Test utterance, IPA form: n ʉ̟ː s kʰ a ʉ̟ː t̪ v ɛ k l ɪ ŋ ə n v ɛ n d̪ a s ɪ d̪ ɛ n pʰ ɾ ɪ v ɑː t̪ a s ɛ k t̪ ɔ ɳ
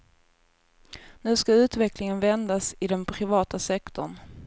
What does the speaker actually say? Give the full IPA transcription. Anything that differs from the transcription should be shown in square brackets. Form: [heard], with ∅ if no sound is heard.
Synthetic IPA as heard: n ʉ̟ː s [k] a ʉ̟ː t̪ v ɛ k l ɪ ŋ ə n v ɛ n d̪ a s ɪ d̪ ɛ n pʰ ɾ ɪ v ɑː t̪ a s ɛ k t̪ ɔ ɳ

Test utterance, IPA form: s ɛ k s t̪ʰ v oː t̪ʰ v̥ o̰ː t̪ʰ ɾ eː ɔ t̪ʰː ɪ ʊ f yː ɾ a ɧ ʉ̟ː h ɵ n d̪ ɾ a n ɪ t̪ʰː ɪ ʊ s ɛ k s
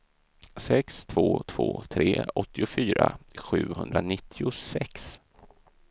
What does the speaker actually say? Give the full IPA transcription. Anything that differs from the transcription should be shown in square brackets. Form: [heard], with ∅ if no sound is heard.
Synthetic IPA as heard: s ɛ k s t̪ʰ v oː t̪ʰ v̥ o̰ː t̪ʰ ɾ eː ɔ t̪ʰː ɪ ʊ f yː ɾ a ɧ ʉ̟ː h ɵ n d̪ ɾ a n ɪ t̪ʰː ɪ ʊ s ɛ k s

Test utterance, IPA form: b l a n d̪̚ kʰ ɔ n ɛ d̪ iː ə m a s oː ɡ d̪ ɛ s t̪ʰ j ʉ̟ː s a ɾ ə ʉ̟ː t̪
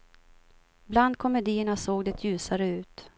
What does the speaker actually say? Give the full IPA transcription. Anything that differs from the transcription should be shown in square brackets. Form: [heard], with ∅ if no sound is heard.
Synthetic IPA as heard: b l a n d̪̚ kʰ ɔ [m] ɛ d̪ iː ə [ɳ] a s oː ɡ d̪ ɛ [∅] t̪ʰ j ʉ̟ː s a ɾ ə ʉ̟ː t̪

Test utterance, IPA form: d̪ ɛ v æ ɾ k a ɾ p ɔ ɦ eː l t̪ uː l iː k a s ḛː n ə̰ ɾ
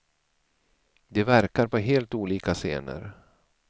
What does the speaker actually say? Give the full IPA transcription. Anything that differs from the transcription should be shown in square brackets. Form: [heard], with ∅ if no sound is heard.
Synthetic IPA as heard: d̪ ɛ v æ ɾ k a ɾ p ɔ ɦ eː l t̪ uː l iː k a s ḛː n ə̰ ɾ

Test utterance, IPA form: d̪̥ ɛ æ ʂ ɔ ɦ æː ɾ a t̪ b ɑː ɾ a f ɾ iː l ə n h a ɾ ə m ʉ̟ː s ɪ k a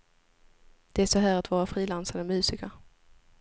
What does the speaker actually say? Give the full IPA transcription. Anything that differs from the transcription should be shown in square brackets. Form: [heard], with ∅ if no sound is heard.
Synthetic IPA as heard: d̪̥ ɛ æ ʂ ɔ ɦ æː ɾ a t̪ [v] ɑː ɾ a f ɾ iː l [a] n [s] a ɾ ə m ʉ̟ː s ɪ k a

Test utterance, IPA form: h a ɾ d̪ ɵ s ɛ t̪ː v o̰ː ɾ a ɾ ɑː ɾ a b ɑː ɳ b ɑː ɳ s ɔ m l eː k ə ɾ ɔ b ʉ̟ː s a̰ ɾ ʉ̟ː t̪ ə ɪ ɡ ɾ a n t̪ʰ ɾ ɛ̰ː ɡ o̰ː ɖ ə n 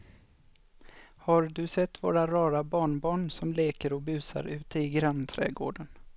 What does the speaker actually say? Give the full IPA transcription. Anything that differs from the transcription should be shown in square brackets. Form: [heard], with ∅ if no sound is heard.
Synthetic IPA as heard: h a ɾ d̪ ɵ s ɛ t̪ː v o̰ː ɾ a ɾ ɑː ɾ a b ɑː ɳ b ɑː ɳ s ɔ m l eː k ə ɾ ɔ b ʉ̟ː s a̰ ɾ ʉ̟ː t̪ ə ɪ ɡ ɾ a n t̪ʰ ɾ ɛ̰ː ɡ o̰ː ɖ ə n

